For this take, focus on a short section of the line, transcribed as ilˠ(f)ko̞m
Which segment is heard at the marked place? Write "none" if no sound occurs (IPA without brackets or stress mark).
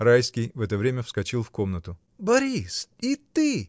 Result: f